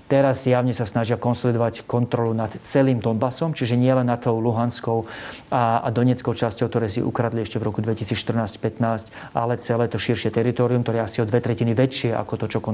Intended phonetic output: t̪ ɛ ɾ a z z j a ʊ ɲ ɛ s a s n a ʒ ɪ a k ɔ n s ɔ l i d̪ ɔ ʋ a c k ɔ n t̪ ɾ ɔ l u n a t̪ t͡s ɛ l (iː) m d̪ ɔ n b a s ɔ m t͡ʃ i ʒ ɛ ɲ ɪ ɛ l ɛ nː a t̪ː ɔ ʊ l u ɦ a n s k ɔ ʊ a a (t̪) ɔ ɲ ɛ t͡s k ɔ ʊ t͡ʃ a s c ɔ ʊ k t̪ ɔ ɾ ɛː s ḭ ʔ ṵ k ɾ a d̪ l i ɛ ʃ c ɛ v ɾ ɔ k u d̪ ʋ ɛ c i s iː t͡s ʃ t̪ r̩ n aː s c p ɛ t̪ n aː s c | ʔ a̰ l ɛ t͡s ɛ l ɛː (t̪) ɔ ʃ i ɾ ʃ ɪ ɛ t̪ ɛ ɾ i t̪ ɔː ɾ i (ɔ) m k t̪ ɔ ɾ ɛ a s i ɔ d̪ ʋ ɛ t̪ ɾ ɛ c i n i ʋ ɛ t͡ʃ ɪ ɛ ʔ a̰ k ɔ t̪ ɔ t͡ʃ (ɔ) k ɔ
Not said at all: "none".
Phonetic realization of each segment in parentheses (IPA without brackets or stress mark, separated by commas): iː, d̪, t̪, u, ɔ